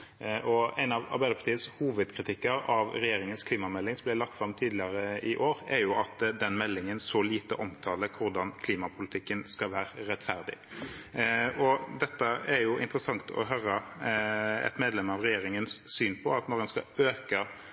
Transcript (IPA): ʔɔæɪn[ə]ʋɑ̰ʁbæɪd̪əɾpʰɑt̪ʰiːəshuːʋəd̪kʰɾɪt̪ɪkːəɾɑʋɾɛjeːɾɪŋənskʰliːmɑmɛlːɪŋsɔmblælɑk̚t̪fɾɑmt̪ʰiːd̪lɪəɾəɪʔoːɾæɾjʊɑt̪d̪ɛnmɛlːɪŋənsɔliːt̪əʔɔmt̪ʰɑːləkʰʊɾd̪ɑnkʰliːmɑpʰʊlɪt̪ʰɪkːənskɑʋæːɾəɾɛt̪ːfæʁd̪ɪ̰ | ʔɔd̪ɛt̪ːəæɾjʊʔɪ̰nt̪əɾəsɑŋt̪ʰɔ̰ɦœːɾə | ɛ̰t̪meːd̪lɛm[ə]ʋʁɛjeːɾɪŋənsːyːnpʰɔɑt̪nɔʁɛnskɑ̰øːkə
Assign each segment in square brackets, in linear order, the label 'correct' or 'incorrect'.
incorrect: ɑ, incorrect: ɑ

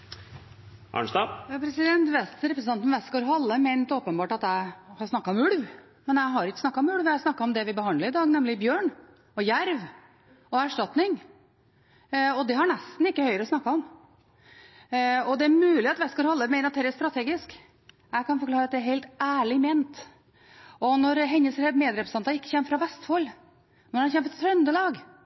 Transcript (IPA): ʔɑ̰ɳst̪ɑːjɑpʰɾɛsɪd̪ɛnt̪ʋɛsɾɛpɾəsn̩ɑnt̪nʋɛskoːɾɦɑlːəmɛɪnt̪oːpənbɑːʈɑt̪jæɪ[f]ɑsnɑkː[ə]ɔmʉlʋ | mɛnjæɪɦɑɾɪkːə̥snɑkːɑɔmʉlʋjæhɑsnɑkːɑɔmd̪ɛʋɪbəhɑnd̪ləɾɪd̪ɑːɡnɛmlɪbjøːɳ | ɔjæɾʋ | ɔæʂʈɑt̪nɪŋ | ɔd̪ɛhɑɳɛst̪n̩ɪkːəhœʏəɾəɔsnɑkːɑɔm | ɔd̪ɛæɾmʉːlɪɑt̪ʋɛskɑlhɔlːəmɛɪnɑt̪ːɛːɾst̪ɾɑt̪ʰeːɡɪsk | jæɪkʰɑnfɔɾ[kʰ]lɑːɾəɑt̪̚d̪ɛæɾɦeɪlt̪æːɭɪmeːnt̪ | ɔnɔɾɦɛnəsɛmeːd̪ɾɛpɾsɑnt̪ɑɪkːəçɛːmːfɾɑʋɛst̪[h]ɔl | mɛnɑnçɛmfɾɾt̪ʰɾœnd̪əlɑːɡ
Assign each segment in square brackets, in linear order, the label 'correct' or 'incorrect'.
incorrect: h, incorrect: ɑ, incorrect: k, incorrect: f

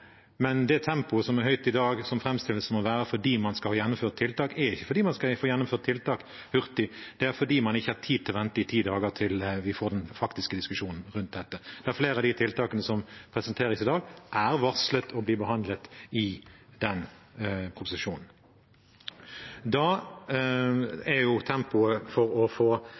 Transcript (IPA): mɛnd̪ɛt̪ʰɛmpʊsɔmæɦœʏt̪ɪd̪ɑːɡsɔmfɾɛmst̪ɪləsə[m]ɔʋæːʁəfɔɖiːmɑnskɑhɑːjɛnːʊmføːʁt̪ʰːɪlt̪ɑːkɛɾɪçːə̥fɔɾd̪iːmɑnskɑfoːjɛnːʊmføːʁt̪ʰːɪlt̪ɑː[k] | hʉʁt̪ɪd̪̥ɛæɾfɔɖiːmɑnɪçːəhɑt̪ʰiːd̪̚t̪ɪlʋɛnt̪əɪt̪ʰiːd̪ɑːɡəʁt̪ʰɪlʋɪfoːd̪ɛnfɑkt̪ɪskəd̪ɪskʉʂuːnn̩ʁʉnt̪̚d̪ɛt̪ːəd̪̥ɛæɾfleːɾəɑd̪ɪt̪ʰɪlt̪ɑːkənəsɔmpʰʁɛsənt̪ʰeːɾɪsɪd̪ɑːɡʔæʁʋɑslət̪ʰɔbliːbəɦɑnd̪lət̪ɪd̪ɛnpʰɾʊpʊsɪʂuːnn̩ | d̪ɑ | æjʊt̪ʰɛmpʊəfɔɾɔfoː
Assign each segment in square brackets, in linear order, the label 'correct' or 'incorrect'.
correct, correct

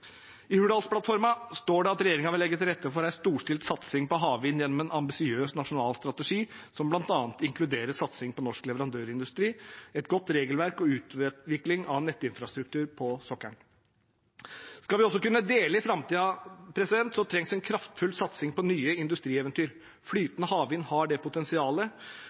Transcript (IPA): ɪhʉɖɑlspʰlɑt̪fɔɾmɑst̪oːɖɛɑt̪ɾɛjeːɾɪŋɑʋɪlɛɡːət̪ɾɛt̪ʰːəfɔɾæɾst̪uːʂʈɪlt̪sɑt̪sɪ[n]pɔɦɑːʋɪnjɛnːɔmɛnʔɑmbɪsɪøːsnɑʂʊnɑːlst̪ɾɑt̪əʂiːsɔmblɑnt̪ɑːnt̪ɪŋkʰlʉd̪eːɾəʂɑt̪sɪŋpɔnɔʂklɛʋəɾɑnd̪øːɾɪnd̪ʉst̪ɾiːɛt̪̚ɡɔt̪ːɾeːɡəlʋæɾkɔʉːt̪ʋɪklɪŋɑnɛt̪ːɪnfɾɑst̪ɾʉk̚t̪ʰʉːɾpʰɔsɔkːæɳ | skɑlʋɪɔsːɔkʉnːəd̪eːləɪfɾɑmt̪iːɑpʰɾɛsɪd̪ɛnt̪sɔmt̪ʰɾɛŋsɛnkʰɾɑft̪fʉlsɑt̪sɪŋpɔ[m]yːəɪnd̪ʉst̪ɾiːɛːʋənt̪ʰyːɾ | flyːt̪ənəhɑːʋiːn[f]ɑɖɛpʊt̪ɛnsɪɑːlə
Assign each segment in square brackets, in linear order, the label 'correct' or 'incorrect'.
incorrect: ŋ, incorrect: n, incorrect: h

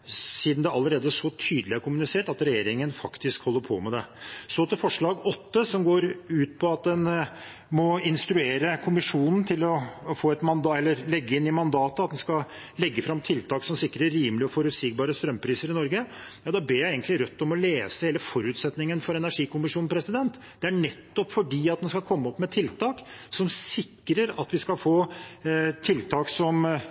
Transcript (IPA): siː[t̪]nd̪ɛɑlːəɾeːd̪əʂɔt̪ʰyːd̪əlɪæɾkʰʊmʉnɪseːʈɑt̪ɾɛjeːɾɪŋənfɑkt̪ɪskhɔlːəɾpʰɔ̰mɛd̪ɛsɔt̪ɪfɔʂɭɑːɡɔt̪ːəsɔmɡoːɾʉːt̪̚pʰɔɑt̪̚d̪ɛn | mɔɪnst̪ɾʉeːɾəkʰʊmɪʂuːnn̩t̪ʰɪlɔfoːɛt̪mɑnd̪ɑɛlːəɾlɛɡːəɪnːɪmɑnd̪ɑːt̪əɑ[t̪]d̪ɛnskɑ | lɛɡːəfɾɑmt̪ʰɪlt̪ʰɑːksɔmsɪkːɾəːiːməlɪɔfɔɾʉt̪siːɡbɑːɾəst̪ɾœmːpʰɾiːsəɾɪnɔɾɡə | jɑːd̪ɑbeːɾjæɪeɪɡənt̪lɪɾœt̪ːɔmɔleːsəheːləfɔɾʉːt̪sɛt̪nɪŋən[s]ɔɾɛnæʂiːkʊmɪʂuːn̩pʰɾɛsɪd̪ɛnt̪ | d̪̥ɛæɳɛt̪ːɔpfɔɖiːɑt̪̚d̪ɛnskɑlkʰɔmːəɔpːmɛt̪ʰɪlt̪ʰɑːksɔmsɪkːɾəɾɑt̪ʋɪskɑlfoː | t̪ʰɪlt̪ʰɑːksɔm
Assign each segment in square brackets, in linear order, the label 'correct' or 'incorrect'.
incorrect: d̪, correct, incorrect: f

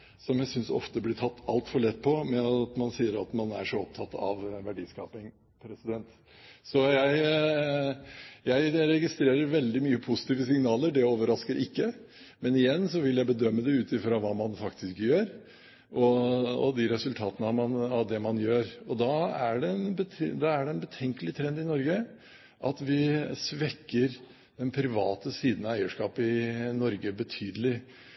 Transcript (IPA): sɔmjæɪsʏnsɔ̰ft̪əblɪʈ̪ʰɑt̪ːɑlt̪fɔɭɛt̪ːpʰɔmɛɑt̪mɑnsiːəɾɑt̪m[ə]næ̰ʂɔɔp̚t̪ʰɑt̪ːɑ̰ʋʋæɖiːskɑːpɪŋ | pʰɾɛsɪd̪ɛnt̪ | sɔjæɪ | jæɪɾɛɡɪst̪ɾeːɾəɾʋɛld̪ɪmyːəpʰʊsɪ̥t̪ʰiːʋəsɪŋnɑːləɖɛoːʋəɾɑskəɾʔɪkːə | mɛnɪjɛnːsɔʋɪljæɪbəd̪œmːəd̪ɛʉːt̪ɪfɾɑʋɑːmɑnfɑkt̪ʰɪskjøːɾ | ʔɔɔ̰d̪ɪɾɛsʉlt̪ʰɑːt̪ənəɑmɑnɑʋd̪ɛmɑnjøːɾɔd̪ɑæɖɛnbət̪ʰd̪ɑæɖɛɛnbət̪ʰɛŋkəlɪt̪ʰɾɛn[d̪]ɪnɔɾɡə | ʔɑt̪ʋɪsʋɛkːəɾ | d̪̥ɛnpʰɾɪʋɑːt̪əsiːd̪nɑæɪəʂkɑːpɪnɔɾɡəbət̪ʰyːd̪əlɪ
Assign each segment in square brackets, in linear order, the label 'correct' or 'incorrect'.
incorrect: ɑ, correct

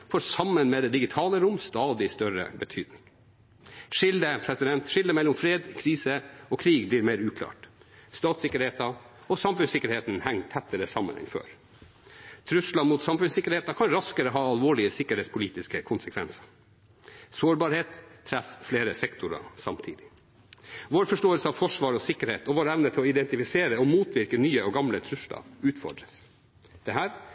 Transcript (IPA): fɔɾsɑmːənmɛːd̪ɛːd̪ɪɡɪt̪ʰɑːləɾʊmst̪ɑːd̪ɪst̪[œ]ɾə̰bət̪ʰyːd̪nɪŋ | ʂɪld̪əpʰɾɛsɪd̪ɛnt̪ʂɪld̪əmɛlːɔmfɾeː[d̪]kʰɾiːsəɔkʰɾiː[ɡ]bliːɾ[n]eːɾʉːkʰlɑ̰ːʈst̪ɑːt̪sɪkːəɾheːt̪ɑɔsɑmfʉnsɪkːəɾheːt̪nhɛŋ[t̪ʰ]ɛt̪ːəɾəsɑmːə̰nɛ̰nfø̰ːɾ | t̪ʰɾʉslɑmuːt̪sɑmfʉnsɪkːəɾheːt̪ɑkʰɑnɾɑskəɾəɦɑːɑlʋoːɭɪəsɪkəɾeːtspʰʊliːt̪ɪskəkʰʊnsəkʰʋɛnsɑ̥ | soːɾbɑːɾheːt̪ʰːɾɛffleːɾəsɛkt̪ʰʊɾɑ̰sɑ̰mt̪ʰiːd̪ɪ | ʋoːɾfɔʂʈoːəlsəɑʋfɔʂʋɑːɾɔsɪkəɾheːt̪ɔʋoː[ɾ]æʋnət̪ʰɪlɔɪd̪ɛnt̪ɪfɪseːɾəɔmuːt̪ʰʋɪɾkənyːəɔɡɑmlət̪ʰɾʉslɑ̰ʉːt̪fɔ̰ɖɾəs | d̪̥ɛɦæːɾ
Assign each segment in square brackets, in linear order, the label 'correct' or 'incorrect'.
correct, correct, correct, incorrect: m, correct, correct

